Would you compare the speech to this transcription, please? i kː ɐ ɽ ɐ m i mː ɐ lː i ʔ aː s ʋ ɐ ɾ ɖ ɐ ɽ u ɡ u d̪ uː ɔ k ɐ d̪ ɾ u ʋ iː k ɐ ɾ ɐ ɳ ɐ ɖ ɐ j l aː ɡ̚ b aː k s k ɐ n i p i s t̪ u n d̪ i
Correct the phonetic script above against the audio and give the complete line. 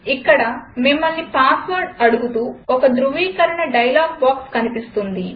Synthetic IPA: i kː ɐ ɽ ɐ m i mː ɐ lː i p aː s ʋ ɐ ɾ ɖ ɐ ɽ u ɡ u t̪ uː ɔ k ɐ d̪ ɾ u ʋ iː k ɐ ɾ ɐ ɳ ɐ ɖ ɐ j l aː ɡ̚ b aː k s k ɐ n i p i s t̪ u n d̪ i